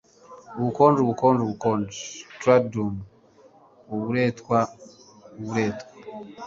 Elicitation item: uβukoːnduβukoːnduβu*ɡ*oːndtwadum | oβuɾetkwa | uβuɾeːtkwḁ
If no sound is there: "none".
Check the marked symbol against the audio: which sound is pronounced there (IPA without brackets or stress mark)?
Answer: k